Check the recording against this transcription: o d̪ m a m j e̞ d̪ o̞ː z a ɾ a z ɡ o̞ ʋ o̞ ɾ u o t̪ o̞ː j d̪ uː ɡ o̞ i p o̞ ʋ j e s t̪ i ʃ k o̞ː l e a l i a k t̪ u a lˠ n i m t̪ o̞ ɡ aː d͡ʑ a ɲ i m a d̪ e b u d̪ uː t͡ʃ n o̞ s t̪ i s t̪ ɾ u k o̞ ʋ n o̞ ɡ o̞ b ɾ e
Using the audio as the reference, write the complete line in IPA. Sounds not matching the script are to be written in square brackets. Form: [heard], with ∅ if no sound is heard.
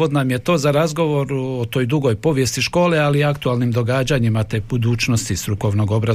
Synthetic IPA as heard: o d̪ [n] a m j e̞ [t̪] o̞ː z a ɾ a z ɡ o̞ ʋ o̞ ɾ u o t̪ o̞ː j d̪ [u] ɡ o̞ [j] p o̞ ʋ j e s t̪ i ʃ k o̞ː l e a l i a k t̪ u a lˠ n i m [d̪] o̞ ɡ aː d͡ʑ a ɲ i m a [t̪] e b u d̪ uː t͡ʃ n o̞ s t̪ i s t̪ ɾ u k o̞ ʋ n o̞ ɡ o̞ b ɾ [a]